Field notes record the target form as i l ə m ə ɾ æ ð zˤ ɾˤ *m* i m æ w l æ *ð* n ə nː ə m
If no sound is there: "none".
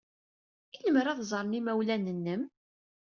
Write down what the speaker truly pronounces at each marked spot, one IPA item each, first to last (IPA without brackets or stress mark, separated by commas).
n, none